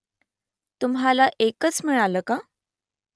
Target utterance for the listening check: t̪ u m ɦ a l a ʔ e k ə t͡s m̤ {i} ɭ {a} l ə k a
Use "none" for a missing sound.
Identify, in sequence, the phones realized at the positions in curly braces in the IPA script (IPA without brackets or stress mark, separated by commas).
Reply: i, a